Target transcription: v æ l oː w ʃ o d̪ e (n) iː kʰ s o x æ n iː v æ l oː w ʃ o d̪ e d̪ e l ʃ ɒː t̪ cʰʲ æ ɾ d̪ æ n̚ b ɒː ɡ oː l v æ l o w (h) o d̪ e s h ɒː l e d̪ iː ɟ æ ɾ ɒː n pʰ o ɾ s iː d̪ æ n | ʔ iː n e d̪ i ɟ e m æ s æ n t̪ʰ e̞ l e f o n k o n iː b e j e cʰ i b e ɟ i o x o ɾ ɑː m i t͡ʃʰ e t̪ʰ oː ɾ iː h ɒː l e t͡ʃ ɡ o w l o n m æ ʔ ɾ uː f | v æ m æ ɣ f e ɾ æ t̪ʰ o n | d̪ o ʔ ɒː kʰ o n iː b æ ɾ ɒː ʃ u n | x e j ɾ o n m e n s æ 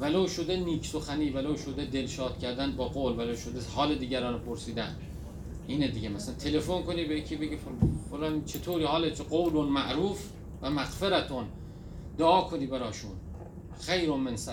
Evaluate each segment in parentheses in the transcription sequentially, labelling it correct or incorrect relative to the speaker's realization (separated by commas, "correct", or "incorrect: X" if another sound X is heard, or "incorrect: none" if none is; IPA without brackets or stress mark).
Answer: correct, incorrect: ʃ